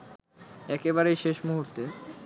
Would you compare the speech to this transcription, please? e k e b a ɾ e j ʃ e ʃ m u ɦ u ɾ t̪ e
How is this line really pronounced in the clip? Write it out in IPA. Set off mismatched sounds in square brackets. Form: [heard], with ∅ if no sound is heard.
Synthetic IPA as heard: [ɛ] k e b a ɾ e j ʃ e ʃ m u ɦ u ɾ t̪ e